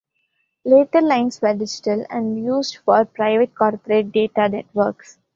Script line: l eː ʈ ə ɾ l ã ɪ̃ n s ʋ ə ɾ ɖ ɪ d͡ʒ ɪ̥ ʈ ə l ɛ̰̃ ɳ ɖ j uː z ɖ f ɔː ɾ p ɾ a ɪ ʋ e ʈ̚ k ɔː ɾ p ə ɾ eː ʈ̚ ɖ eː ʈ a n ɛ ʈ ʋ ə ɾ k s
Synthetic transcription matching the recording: l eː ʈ ə ɾ l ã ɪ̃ n s ʋ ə ɾ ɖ ɪ d͡ʒ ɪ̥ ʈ ə l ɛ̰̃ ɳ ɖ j uː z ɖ f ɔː ɾ p ɾ a ɪ ʋ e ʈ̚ k ɔː ɾ p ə ɾ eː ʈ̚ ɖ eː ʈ a n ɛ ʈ ʋ ə ɾ k s